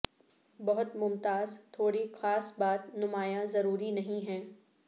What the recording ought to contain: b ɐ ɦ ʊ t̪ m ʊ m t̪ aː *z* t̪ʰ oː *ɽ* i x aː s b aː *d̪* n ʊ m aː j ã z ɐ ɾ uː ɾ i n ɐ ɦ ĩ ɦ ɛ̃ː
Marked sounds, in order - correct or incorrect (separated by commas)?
correct, correct, incorrect